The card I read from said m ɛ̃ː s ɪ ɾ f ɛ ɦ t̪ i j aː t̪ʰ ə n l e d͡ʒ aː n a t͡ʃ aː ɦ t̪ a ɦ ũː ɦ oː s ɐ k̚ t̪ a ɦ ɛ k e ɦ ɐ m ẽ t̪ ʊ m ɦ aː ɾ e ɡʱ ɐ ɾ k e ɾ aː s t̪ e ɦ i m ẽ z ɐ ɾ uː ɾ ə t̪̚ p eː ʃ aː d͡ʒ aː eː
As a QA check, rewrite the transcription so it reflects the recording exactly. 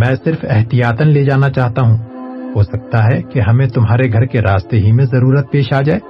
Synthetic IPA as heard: m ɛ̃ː s ɪ ɾ f ɛ ɦ t̪ i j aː t̪ ə n l e d͡ʒ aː n a t͡ʃ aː ɦ t̪ a ɦ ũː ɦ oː s ɐ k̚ t̪ a ɦ ɛ k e ɦ ɐ m ẽ t̪ ʊ m ɦ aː ɾ e ɡʱ ɐ ɾ k e ɾ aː s t̪ e ɦ i m ẽ z ɐ ɾ uː ɾ ə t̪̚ p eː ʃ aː d͡ʒ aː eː